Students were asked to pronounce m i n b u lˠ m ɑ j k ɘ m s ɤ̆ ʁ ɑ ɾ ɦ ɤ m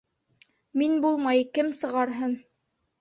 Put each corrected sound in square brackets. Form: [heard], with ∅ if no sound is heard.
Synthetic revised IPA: m i n b u lˠ m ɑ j k ɘ m s ɤ̆ ʁ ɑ ɾ ɦ ɤ [n]